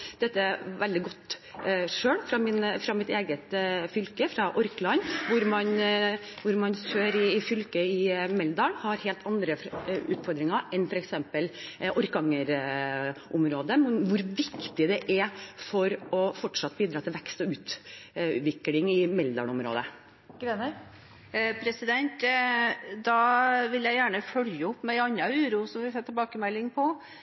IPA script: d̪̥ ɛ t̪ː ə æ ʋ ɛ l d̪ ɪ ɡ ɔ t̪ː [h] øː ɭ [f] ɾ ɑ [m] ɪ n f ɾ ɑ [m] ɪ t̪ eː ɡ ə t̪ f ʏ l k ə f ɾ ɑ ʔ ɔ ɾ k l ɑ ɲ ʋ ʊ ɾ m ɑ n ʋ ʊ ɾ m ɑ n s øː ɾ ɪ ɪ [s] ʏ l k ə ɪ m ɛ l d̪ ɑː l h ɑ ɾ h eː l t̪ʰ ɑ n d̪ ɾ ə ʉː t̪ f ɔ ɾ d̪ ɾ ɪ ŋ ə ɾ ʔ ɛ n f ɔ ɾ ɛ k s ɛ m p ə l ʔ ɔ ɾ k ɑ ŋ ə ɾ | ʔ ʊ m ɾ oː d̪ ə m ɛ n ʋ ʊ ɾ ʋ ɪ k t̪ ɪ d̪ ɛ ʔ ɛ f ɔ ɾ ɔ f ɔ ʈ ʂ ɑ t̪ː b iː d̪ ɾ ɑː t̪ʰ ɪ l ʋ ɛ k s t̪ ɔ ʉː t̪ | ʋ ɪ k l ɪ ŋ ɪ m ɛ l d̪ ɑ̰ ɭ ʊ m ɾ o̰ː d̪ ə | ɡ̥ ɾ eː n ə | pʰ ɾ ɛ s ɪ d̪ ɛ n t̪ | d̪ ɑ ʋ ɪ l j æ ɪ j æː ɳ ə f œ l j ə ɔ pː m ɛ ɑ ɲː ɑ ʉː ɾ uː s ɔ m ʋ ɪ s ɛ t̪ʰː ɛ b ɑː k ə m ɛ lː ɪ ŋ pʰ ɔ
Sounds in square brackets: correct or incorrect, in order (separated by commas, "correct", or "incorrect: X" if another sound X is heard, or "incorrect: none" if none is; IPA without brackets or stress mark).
incorrect: ʂ, correct, correct, correct, incorrect: f